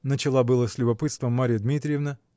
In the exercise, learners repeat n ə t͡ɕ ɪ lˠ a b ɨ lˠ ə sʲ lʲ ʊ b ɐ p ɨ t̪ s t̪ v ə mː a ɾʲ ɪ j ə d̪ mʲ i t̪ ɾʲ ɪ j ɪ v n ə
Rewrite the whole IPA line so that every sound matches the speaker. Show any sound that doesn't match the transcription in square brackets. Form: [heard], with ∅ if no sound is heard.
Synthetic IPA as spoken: n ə t͡ɕ ɪ lˠ a b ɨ lˠ ə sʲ lʲ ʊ b ɐ p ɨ t̪ s t̪ v ə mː a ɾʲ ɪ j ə d̪ mʲ i t̪ ɾʲ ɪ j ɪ v n ə